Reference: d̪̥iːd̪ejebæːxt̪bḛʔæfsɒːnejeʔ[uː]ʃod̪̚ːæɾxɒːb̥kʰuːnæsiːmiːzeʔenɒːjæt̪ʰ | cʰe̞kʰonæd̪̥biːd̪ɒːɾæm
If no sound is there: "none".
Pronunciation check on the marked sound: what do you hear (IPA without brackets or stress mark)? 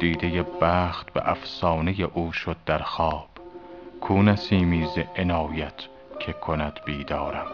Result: uː